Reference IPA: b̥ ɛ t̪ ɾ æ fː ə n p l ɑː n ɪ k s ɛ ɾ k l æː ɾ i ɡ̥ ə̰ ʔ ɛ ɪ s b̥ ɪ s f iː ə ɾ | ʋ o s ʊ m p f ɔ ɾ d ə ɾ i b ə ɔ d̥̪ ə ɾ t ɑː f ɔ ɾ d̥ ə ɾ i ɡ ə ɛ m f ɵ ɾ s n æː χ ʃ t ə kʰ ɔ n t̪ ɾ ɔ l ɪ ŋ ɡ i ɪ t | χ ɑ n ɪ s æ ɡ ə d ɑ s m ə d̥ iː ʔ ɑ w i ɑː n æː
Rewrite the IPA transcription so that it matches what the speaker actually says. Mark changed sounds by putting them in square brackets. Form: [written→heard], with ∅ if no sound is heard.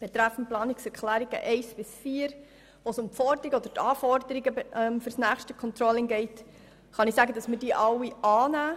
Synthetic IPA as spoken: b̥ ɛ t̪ ɾ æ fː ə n p l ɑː n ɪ k s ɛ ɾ k l æː ɾ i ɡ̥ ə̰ ʔ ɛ ɪ s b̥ ɪ s f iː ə ɾ | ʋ o s ʊ m p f ɔ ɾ d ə ɾ i [b→ɡ] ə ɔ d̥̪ ə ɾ t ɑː f ɔ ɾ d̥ ə ɾ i ɡ ə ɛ m f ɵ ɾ s n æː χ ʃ t ə kʰ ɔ n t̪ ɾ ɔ l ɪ ŋ ɡ [i→ɛ] ɪ t | χ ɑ n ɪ s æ ɡ ə d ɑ s m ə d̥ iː ʔ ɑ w i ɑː n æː

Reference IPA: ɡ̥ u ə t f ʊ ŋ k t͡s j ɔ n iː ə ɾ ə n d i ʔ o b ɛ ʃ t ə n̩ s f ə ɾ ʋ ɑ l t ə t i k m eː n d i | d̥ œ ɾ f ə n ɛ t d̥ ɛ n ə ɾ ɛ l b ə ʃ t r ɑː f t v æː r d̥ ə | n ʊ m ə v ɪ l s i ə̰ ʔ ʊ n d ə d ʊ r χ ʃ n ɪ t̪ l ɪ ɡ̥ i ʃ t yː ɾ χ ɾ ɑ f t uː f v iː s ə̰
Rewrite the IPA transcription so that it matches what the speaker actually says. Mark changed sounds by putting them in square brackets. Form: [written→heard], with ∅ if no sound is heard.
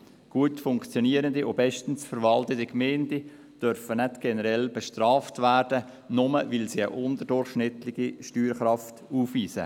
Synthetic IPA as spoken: ɡ̥ u ə t f ʊ ŋ k t͡s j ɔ n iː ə ɾ ə n d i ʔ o b ɛ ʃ t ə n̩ s f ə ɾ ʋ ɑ l t ə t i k m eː n d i | d̥ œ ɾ f ə n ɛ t [d̥→ɡ̥] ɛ n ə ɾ ɛ l b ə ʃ t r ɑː f t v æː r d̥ ə | n ʊ m ə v ɪ l s i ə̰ ʔ ʊ n d ə d ʊ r χ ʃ n ɪ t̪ l ɪ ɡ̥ i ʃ t yː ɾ χ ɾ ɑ f t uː f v iː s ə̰

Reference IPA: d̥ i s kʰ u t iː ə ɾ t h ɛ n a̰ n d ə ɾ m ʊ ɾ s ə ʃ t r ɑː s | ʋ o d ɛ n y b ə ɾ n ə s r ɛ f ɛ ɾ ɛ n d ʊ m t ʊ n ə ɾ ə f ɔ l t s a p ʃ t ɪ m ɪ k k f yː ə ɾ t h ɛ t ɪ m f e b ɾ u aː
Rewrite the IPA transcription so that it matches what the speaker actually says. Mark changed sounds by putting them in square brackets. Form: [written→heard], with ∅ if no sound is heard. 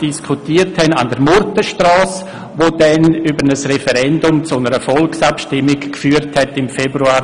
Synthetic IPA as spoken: d̥ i s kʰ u t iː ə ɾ t h ɛ n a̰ n d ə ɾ m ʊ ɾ [s→t] ə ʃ t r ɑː s | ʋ o d ɛ n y b ə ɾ n ə s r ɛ f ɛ ɾ ɛ n d ʊ m [t→t͡s] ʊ n ə ɾ ə f ɔ l [t→k] s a p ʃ t ɪ m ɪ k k f yː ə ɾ t h ɛ t ɪ m f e b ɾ u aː

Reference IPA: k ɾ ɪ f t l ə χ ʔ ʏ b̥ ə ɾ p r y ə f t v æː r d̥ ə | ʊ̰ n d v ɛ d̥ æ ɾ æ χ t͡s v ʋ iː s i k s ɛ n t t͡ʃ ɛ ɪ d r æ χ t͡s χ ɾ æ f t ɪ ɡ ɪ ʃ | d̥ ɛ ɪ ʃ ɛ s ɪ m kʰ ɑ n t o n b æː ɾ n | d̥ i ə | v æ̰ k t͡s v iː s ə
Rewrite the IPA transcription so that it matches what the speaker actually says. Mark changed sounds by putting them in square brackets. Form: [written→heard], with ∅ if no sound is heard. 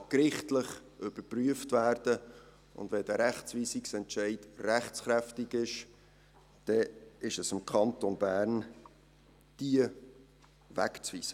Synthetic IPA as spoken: k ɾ ɪ [f→χ] t l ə χ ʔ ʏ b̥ ə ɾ p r y ə f t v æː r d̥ ə | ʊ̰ n d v ɛ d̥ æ ɾ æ χ t͡s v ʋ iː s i k s ɛ n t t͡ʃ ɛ ɪ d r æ χ t͡s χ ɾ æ f t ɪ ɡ ɪ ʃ | d̥ ɛ ɪ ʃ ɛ s ɪ m kʰ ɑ n t o n b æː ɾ n | d̥ i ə | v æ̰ k t͡s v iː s ə

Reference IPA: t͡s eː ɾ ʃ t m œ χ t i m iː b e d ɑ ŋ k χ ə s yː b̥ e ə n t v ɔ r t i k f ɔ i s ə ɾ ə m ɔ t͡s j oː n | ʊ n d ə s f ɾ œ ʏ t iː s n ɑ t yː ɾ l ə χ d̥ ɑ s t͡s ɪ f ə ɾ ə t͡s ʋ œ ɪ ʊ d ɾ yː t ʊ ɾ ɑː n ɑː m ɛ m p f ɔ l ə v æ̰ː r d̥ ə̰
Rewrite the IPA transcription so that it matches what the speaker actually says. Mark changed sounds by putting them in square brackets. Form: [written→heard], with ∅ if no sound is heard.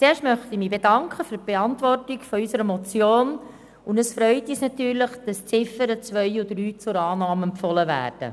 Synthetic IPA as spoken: t͡s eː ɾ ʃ t m œ χ t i m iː b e d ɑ ŋ k χ ə [s→f] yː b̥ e [ə→ɑ] n t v ɔ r t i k f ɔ [i→y] s ə ɾ ə m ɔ t͡s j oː n | ʊ n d ə s f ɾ œ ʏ t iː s n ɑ t yː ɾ l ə χ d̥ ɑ s t͡s ɪ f ə ɾ ə t͡s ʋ œ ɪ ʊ d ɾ yː [t→t͡s] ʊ ɾ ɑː n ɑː m ɛ m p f ɔ l ə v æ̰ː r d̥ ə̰

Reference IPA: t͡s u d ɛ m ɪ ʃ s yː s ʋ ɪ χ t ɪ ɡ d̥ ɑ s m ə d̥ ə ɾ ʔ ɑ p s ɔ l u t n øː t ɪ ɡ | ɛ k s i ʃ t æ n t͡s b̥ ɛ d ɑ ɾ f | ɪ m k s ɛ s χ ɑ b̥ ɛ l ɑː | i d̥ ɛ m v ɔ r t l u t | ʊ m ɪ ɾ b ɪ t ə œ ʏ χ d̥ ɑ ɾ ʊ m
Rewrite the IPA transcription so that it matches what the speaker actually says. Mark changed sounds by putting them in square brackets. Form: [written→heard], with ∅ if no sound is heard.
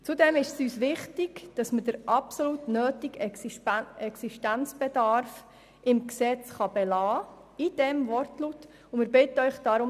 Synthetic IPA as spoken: t͡s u d ɛ m ɪ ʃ s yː s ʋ ɪ χ t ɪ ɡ d̥ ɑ s m ə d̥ ə ɾ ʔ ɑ p s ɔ l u t n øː t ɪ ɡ | ɛ k s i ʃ t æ n t͡s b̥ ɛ d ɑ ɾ f | ɪ m k s ɛ [s→t͡s] χ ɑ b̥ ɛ l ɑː | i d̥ ɛ m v ɔ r t l u t | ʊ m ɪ ɾ b ɪ t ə œ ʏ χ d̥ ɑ ɾ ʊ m

